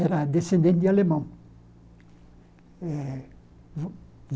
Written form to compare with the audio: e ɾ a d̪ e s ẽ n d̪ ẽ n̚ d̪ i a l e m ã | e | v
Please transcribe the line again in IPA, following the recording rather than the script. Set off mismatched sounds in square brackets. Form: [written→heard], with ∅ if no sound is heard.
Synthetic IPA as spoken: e ɾ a d̪ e s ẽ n d̪ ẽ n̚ d̪ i a l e m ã | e | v